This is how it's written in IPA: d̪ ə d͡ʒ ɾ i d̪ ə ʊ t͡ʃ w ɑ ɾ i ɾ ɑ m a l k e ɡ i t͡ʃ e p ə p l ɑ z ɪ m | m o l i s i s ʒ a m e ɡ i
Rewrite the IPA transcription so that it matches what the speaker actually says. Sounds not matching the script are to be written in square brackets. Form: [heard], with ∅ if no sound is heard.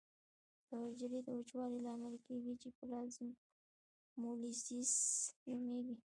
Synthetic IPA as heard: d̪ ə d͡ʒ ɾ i d̪ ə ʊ t͡ʃ w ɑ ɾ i [l] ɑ m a l k e ɡ i t͡ʃ e p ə [∅] l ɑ z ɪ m | m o l i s i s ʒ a m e ɡ i